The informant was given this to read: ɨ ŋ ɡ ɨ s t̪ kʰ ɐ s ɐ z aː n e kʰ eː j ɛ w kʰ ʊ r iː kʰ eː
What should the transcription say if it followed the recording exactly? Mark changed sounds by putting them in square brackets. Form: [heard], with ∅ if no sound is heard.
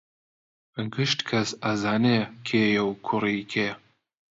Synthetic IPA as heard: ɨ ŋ ɡ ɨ [ʃ] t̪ kʰ ɐ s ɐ z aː n e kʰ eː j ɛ w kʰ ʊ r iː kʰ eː